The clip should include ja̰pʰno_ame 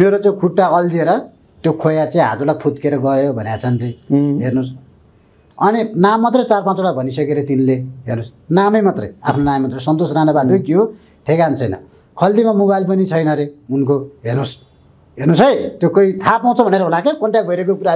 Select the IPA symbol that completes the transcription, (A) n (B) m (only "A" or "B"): A